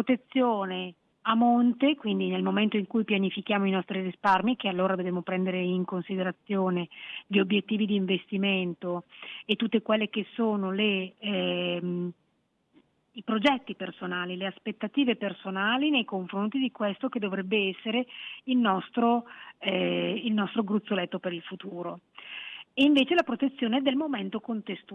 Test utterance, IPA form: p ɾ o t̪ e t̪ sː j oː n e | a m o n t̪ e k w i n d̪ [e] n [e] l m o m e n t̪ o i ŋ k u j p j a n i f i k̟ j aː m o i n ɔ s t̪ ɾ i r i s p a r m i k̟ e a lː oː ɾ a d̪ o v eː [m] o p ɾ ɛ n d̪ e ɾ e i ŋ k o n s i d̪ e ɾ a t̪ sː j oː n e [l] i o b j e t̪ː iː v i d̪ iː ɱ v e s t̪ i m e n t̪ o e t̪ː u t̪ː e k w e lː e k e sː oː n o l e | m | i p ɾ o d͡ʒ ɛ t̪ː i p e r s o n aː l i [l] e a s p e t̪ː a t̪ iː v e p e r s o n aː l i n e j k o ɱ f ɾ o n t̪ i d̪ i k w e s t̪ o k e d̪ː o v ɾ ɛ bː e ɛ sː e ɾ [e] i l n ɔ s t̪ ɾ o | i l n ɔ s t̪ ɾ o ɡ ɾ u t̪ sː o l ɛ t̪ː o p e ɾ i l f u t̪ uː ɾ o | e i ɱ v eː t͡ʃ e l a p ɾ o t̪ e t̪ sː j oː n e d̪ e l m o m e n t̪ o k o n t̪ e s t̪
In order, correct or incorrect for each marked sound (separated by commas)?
incorrect, correct, correct, incorrect, correct, correct